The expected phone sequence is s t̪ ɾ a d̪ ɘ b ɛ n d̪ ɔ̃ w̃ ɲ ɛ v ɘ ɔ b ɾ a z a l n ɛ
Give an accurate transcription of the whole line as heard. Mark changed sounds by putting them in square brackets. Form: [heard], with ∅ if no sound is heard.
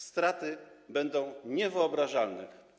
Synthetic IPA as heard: s t̪ ɾ a [t̪] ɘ b ɛ n d̪ ɔ̃ w̃ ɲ ɛ v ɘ ɔ b ɾ a [ʐ] a l n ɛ